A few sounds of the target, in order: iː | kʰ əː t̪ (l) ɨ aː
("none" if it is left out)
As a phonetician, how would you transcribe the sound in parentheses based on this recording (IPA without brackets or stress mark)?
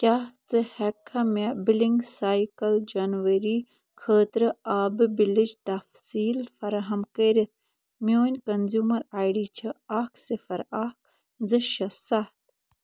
ɾ